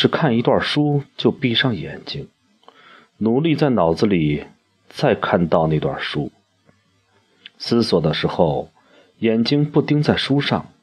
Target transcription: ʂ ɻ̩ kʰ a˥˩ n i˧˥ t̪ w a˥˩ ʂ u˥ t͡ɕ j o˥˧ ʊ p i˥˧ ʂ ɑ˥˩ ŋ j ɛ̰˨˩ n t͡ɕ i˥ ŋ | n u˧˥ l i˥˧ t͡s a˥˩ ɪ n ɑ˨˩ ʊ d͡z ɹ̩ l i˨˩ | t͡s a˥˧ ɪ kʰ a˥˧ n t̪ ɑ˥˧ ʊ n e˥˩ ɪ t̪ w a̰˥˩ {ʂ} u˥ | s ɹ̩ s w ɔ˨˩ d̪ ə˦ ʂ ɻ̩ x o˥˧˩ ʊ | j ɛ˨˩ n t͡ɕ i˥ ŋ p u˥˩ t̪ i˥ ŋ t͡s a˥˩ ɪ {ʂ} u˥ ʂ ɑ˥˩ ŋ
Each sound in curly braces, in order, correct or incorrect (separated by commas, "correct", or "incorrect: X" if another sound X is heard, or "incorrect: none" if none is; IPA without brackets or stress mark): correct, correct